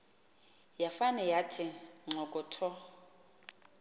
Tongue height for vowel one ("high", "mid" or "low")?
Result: low